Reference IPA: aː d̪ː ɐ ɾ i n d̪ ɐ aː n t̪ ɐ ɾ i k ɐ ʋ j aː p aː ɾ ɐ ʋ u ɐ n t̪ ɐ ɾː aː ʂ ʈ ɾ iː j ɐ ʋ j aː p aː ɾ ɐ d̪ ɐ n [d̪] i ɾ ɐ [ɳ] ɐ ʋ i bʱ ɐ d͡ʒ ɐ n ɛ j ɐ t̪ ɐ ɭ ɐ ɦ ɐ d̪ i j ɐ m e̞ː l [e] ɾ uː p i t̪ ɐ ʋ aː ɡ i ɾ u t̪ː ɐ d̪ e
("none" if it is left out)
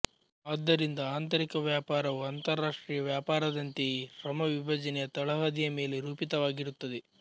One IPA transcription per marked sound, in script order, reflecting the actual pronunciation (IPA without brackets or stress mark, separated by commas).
t̪, m, e